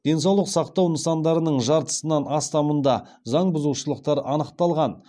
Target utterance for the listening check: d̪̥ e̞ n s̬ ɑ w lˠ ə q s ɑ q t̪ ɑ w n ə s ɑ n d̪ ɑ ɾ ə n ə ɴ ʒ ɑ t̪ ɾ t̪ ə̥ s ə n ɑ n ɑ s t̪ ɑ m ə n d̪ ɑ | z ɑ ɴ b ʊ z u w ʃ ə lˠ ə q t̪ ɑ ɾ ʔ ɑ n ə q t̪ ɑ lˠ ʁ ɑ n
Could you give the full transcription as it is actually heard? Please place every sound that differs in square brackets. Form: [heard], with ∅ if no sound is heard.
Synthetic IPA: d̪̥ e̞ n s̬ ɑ w lˠ ə q s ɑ q t̪ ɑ w n ə s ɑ n d̪ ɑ ɾ ə n ə ɴ ʒ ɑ [∅] ɾ t̪ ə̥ s ə n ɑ n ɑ s t̪ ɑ m ə n d̪ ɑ | z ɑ ɴ b ʊ z u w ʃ ə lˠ ə q t̪ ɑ ɾ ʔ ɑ n ə q t̪ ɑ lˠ ʁ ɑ n